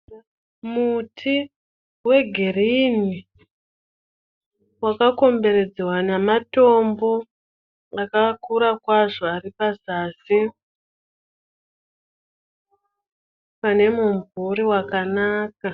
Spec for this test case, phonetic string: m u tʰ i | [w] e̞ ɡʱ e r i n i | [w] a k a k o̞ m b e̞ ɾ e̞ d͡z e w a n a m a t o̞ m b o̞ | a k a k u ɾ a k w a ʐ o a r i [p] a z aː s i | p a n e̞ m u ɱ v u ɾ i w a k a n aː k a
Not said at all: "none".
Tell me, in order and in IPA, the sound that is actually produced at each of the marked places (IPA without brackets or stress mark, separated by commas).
w, w, p